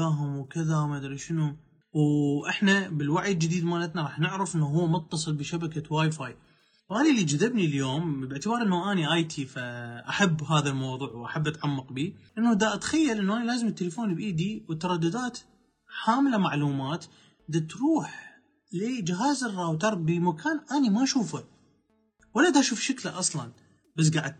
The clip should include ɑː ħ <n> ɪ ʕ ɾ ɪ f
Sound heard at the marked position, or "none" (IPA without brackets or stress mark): n